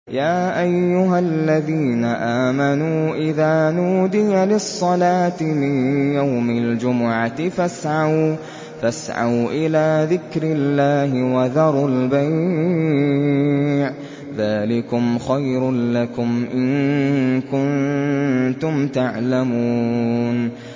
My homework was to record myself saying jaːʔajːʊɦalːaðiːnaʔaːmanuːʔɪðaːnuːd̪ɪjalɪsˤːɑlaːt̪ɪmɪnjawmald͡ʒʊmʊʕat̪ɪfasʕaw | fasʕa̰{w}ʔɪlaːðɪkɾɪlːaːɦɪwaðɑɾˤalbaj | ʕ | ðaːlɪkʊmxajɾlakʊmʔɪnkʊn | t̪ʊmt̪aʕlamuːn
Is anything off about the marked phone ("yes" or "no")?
no